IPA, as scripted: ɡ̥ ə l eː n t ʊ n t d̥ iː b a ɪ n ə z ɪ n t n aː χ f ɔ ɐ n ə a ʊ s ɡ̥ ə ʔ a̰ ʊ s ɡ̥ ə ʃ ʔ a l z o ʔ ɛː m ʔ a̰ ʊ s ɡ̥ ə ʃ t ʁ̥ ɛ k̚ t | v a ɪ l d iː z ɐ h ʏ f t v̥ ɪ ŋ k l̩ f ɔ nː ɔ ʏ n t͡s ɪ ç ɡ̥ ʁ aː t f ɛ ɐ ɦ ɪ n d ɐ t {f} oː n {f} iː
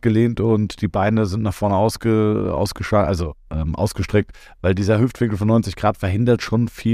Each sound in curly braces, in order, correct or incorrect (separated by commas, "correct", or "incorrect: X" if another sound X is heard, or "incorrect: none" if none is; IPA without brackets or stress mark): incorrect: ʃ, correct